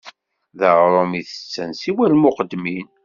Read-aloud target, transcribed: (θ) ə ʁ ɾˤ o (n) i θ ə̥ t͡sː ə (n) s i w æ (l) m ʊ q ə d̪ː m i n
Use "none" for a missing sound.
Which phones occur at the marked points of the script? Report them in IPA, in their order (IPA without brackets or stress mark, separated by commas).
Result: ð, m, n, l